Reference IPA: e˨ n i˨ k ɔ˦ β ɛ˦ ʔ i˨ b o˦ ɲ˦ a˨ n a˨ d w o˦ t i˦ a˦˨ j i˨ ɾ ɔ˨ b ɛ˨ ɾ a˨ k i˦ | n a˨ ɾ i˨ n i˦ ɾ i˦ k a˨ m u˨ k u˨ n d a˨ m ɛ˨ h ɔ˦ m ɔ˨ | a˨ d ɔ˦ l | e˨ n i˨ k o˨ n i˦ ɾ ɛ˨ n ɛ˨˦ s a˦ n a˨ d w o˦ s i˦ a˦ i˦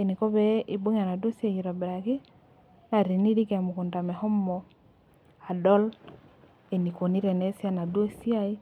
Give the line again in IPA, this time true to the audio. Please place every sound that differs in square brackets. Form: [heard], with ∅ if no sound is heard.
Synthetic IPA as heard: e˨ n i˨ k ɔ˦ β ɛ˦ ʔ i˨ b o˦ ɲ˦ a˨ n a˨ d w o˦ [s] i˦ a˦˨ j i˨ ɾ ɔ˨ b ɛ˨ ɾ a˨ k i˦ | n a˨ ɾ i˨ n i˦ ɾ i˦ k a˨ m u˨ k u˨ n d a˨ m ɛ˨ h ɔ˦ m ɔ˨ | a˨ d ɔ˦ l | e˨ n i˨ k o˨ n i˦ ɾ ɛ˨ n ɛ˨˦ s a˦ n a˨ d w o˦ s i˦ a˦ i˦